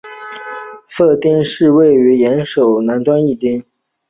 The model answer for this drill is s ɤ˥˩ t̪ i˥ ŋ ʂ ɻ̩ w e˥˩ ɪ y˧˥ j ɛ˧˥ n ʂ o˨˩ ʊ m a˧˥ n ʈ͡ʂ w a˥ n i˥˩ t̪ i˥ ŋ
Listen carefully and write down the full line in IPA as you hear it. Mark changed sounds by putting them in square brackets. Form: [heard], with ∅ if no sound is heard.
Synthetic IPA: s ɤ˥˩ t̪ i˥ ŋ ʂ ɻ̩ w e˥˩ ɪ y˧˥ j ɛ˧˥ n ʂ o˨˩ ʊ [n] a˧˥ n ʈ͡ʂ w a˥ n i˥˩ t̪ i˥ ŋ